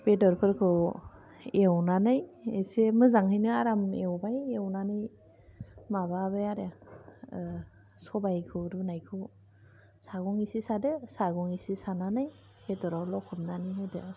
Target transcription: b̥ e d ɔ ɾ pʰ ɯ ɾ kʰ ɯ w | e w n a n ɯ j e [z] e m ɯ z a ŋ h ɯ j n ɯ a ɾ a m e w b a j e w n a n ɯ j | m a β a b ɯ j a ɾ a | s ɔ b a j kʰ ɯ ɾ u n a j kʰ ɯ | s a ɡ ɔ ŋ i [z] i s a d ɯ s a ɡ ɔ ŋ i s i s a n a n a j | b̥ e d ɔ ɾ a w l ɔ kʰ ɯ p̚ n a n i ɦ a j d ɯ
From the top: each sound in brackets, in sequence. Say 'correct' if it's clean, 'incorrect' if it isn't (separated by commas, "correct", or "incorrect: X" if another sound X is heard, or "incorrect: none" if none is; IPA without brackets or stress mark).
incorrect: s, incorrect: s